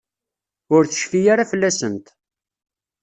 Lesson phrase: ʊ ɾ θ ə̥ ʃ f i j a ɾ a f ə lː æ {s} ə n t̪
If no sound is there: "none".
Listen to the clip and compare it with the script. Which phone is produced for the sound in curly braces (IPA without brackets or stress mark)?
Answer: s